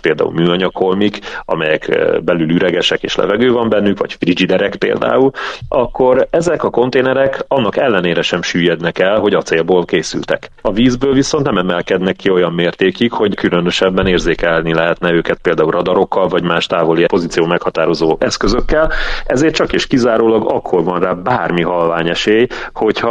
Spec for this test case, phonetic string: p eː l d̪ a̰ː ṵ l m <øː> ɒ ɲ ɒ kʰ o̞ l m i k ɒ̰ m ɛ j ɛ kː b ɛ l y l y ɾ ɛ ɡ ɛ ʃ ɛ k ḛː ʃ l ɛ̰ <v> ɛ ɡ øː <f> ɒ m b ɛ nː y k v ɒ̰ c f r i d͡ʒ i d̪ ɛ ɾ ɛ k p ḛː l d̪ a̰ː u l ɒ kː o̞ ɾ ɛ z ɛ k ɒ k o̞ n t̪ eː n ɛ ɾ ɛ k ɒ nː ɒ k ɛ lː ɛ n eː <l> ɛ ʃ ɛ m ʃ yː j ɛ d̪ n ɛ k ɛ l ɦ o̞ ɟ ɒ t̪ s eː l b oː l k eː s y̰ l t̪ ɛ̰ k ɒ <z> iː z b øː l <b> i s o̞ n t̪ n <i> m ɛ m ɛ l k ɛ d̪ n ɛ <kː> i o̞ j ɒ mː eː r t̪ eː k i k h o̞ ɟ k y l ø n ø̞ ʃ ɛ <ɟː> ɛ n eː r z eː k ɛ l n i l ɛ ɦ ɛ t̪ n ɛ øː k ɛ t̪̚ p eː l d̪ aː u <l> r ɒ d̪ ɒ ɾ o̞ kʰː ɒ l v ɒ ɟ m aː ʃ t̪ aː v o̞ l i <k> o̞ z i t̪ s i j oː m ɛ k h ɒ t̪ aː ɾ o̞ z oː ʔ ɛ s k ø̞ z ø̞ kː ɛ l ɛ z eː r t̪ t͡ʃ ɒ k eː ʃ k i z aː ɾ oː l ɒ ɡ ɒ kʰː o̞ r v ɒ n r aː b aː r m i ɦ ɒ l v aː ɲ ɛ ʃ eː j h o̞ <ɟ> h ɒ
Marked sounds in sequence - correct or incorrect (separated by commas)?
incorrect, correct, incorrect, incorrect, incorrect, incorrect, incorrect, correct, incorrect, correct, incorrect, incorrect